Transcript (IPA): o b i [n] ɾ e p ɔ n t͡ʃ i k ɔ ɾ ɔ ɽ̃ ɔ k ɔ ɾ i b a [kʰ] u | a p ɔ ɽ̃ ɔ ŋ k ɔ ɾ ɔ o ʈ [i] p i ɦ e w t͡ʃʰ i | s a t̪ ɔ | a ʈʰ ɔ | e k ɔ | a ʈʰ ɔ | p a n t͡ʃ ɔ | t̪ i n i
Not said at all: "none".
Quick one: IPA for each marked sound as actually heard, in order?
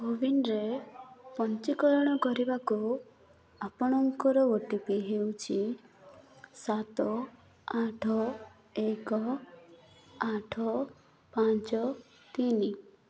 n, k, i

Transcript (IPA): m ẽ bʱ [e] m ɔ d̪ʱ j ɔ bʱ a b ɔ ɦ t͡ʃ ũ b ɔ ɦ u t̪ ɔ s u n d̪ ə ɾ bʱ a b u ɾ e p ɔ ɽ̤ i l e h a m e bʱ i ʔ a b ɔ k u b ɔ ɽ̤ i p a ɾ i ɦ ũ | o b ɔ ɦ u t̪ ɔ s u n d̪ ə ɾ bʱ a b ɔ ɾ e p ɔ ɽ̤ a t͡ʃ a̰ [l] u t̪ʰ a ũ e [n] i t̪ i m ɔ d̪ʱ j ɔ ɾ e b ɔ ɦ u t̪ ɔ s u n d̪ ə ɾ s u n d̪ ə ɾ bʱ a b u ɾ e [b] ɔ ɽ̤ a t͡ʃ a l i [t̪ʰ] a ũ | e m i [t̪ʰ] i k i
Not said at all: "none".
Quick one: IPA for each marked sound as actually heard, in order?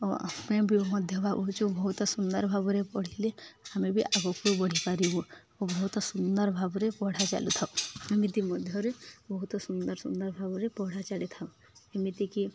i, l, m, p, t̪ʰ, t̪

